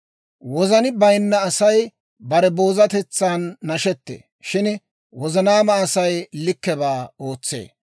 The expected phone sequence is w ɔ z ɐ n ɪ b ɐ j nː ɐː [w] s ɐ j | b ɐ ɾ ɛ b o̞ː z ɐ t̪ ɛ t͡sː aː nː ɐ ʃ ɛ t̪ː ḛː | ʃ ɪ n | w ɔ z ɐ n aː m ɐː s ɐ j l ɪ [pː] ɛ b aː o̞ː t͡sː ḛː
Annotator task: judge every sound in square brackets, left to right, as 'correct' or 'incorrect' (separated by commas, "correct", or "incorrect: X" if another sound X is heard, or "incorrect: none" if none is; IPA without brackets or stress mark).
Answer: incorrect: none, incorrect: kː